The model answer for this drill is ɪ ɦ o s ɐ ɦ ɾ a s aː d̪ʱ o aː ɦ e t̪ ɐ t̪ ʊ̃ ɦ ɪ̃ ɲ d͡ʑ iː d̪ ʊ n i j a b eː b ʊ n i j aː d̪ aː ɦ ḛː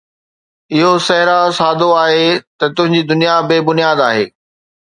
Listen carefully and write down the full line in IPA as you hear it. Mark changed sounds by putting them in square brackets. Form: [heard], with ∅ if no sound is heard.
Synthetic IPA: ɪ ɦ o s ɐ ɦ ɾ a s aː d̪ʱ o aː ɦ e t̪ ɐ t̪ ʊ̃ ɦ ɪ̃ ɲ d͡ʑ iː d̪ ʊ n i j a b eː b ʊ n i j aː d̪ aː ɦ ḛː